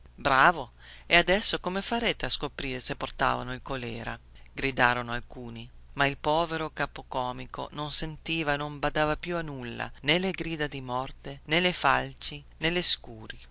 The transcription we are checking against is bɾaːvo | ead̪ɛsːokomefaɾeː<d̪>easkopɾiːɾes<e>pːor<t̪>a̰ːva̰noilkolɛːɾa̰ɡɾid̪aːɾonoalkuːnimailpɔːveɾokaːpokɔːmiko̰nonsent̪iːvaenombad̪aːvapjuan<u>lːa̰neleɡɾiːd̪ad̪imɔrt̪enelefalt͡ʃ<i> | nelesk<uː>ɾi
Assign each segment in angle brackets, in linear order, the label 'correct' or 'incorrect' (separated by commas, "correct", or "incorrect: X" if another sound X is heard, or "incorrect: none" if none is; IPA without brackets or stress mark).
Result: incorrect: t̪, correct, correct, correct, correct, correct